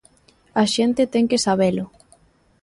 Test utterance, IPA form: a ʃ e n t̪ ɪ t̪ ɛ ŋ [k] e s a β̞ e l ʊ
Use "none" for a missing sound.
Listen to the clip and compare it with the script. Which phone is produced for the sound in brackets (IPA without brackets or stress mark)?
k